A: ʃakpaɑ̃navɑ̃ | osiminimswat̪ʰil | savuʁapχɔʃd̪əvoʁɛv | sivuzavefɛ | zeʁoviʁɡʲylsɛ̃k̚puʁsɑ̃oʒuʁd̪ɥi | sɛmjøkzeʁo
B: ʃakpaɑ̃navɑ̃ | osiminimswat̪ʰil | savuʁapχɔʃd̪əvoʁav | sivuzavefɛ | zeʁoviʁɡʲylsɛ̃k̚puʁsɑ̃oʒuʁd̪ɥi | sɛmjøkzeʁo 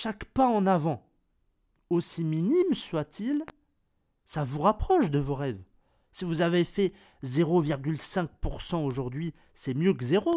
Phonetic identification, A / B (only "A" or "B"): A